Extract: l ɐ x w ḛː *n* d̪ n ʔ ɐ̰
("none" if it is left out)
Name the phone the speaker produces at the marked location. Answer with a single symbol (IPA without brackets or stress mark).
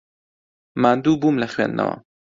n